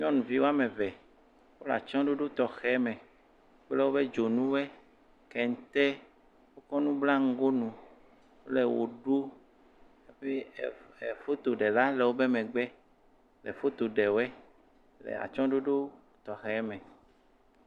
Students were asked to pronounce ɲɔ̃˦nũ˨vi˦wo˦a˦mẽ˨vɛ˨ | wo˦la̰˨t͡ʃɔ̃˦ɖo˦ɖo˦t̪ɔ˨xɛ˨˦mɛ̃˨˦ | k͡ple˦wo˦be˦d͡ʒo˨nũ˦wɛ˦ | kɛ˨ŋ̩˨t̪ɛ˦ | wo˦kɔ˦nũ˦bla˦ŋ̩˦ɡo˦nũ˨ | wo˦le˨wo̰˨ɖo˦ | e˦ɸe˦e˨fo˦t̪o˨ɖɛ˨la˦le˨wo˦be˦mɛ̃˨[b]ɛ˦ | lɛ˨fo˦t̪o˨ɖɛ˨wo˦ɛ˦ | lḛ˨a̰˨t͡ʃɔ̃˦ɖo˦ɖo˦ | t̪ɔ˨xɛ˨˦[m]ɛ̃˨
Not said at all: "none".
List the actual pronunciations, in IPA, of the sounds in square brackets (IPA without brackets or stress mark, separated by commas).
ɡ͡b, m